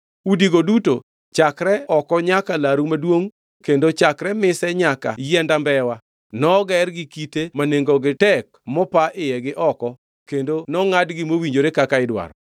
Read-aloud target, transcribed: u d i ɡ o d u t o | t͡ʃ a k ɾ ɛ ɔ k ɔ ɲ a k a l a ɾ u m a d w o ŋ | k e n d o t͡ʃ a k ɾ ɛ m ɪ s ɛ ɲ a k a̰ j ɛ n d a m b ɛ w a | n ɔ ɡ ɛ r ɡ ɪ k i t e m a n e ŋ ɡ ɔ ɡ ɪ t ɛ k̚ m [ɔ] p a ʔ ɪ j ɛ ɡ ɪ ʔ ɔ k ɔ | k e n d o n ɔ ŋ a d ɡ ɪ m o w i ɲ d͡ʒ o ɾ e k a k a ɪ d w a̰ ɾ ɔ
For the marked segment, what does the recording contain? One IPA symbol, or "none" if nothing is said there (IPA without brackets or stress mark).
ɔ